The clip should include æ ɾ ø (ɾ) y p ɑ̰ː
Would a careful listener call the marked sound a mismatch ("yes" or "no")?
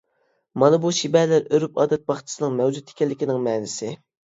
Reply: no